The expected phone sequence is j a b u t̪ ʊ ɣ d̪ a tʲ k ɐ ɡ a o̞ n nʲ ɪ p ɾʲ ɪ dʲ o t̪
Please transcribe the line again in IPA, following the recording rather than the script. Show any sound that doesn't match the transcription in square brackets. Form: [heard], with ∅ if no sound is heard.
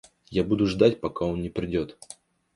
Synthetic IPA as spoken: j a b u [d̪] ʊ [ʐ] d̪ a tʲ [p] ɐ [k] a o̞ n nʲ ɪ p ɾʲ ɪ dʲ o t̪